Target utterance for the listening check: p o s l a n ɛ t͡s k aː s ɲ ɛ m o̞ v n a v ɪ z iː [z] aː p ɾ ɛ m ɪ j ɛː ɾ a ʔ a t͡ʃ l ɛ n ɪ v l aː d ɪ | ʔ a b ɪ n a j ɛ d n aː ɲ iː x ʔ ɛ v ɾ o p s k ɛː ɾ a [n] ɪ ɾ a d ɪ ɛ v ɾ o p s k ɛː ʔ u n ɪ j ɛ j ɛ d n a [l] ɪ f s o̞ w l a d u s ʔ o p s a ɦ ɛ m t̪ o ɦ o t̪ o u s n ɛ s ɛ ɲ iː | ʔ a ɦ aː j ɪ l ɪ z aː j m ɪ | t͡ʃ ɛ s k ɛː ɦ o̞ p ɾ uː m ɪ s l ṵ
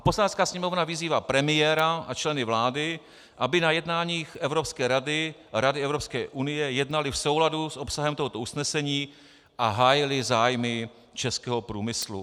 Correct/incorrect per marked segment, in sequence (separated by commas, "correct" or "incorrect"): incorrect, incorrect, correct